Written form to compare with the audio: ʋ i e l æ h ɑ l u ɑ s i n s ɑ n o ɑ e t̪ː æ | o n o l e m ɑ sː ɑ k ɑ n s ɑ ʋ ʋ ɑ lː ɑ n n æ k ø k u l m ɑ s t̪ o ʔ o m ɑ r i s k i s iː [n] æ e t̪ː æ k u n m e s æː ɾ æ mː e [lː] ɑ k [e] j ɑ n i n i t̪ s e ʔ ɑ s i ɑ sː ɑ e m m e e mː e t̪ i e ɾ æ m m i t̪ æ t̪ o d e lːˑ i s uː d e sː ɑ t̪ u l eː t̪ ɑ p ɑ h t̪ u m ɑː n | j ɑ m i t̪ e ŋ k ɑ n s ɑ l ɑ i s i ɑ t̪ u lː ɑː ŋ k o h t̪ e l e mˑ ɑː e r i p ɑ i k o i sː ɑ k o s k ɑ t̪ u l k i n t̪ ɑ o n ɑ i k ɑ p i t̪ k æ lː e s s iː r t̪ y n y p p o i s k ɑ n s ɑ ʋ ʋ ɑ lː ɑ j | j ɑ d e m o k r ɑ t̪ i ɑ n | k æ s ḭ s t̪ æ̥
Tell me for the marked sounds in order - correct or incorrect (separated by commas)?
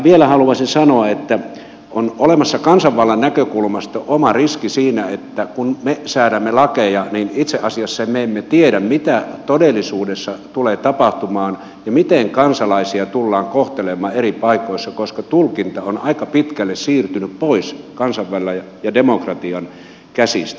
correct, incorrect, correct